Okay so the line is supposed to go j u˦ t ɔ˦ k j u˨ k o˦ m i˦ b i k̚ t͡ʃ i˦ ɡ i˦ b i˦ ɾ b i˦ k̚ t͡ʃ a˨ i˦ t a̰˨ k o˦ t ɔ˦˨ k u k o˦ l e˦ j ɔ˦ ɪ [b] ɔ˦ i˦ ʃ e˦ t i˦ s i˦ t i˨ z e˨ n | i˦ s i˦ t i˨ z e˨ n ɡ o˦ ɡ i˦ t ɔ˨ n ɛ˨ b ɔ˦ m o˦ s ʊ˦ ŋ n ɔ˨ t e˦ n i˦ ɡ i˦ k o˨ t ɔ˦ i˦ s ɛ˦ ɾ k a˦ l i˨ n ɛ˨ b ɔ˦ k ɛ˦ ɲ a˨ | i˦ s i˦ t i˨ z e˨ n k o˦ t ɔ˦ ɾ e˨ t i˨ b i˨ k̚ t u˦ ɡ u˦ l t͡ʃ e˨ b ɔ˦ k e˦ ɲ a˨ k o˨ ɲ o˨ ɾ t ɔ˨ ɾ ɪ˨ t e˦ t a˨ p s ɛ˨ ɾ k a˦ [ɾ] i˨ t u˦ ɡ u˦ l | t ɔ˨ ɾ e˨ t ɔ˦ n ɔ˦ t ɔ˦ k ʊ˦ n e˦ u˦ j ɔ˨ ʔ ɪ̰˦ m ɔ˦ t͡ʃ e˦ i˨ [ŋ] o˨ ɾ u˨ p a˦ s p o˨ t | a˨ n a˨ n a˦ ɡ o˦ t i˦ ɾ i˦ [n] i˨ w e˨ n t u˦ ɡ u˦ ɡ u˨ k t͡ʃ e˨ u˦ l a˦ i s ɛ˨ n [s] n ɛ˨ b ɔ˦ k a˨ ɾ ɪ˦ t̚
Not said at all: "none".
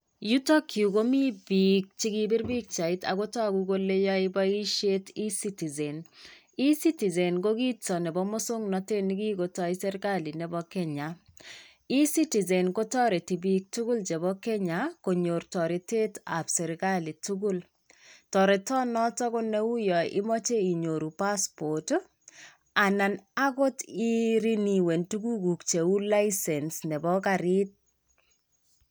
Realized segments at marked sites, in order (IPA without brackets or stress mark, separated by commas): b, l, ɲ, n, s